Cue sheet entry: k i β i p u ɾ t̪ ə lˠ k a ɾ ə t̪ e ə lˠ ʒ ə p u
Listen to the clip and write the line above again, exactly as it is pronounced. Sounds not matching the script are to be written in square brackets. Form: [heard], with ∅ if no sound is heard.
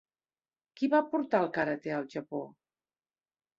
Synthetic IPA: k i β [a] p u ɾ t̪ [a] lˠ k a ɾ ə t̪ e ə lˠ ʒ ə p [o]